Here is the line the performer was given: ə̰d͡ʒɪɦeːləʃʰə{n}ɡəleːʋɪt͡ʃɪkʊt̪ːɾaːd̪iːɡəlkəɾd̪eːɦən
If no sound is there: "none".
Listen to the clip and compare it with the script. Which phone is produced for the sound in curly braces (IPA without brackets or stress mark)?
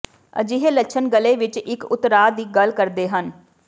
n